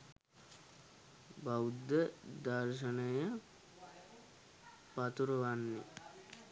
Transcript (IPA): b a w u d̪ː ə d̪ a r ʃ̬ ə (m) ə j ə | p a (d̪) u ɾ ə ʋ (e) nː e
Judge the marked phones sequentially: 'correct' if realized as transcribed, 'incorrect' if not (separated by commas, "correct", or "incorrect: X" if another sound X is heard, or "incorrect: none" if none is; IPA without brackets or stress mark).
incorrect: n, incorrect: t̪, incorrect: a